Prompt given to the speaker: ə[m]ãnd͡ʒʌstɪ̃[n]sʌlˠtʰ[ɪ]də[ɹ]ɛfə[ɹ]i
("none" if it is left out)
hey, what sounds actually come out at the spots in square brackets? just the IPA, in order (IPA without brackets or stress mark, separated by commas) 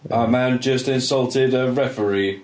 m, n, ɪ, ɹ, ɹ